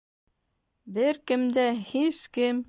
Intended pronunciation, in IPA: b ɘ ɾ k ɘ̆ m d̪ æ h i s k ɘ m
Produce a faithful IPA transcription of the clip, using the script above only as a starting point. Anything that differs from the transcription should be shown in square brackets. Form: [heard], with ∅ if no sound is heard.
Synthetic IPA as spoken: b ɘ ɾ k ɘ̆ m d̪ æ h i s k ɘ m